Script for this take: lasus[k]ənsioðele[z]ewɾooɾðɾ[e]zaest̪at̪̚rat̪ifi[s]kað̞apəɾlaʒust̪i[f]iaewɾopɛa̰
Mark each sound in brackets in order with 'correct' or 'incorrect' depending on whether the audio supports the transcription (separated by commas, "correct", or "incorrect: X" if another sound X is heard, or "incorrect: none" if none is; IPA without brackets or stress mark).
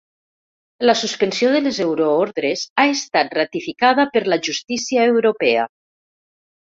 incorrect: p, correct, correct, incorrect: none, incorrect: s